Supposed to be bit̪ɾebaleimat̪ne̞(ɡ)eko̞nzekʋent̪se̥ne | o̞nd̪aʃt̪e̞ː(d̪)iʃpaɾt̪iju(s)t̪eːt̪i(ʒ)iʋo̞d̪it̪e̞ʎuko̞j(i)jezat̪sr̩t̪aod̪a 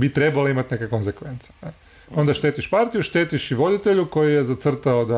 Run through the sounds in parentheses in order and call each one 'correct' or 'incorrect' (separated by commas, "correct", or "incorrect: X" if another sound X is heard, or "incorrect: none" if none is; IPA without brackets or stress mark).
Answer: incorrect: k, incorrect: t̪, incorrect: ʃ, incorrect: ʃ, correct